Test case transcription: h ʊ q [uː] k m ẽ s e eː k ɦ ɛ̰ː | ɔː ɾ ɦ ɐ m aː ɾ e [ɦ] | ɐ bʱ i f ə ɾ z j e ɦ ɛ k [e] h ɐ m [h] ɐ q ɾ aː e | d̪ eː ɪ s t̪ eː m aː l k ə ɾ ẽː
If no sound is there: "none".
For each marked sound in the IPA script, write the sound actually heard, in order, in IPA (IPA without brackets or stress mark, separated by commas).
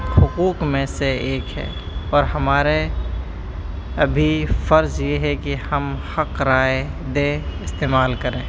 uː, none, i, h